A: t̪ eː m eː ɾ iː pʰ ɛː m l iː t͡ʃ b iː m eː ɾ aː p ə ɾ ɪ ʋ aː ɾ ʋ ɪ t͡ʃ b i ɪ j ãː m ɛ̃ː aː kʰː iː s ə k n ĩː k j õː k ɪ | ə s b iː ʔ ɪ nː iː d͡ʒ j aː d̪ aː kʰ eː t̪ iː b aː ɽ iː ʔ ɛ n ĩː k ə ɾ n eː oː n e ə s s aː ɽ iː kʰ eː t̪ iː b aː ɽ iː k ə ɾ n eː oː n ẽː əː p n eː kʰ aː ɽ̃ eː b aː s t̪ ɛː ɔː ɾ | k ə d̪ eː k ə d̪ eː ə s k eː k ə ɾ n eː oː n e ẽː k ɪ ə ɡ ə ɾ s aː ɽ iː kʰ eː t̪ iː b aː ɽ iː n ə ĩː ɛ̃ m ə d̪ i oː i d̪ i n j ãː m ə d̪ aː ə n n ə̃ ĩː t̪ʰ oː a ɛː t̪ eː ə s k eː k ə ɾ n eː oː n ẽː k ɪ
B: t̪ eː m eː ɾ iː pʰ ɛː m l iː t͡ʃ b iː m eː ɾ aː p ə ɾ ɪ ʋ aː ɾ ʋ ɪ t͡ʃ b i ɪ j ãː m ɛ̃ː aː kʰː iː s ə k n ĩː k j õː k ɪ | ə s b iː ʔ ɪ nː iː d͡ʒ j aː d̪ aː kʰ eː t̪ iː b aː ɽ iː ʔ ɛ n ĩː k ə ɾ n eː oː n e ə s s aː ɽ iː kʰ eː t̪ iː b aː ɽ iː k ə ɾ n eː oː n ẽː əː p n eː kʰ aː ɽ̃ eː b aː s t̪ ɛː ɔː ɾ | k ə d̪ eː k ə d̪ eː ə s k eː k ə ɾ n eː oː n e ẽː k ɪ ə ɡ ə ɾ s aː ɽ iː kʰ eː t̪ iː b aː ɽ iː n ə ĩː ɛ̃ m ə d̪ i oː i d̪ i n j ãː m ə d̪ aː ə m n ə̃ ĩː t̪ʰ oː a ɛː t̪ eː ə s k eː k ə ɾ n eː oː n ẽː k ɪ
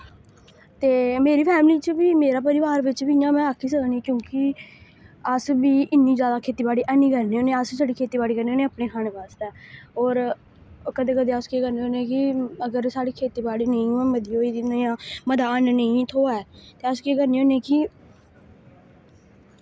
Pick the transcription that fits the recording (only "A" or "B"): A